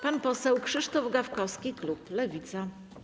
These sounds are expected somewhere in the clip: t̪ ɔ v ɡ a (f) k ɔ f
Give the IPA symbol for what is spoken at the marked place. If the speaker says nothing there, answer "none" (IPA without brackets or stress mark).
f